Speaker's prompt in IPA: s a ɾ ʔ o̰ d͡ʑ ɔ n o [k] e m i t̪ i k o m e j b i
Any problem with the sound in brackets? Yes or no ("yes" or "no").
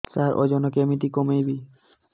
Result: no